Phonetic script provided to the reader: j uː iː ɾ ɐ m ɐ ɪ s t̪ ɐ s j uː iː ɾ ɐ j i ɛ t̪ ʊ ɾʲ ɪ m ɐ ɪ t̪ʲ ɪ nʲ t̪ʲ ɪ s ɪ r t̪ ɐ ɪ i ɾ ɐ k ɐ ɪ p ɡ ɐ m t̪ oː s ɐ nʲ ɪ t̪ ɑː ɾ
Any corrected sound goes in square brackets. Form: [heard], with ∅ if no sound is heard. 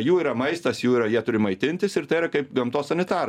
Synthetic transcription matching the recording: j uː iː ɾ ɐ m ɐ ɪ s t̪ ɐ s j uː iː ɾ ɐ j i ɛ t̪ ʊ ɾʲ ɪ m ɐ ɪ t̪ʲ ɪ nʲ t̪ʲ ɪ s ɪ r t̪ ɐ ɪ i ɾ ɐ k ɐ ɪ p ɡ ɐ m t̪ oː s ɐ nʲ ɪ t̪ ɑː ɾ